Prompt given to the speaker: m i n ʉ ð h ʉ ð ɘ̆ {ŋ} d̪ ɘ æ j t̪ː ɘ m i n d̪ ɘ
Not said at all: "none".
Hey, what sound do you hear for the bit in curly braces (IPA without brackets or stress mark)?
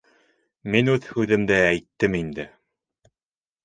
m